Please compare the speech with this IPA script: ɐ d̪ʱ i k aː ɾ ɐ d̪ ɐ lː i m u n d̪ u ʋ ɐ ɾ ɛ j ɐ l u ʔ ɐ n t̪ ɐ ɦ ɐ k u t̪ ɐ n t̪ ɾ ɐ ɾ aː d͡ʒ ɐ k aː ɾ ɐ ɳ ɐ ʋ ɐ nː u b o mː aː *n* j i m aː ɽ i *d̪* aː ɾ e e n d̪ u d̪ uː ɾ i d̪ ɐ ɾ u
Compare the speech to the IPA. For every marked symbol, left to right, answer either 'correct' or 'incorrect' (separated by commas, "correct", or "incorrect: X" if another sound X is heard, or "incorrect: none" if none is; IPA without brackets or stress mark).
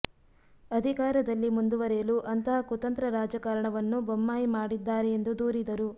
incorrect: none, incorrect: d̪ː